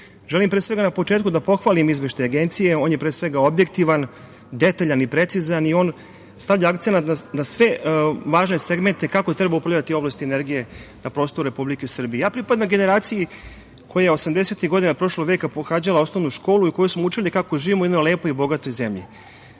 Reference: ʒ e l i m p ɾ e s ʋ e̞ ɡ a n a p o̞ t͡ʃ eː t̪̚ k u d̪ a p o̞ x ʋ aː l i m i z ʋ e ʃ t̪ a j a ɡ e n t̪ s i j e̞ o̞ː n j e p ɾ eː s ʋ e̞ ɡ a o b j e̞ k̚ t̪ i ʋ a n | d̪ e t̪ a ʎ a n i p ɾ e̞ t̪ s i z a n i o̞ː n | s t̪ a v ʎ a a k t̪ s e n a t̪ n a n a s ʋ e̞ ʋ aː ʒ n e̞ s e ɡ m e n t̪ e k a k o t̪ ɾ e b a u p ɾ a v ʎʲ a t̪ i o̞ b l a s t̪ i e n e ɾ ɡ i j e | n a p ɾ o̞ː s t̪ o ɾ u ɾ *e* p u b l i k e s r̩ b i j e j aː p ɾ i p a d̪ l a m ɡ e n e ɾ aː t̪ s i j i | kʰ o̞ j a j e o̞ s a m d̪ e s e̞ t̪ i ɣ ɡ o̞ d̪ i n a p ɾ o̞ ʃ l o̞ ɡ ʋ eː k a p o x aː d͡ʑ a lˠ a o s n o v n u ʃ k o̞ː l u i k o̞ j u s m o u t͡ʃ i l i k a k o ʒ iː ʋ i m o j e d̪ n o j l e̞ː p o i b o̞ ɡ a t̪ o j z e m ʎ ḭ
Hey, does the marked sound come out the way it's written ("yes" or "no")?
yes